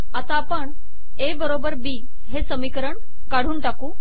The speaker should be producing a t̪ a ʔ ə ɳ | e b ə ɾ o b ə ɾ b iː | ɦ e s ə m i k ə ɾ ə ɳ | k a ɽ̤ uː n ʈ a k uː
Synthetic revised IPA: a t̪ a p ə ɳ | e b ə ɾ o b ə ɾ b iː | ɦ e s ə m i k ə ɾ ə ɳ | k a ɽ̤ uː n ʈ a k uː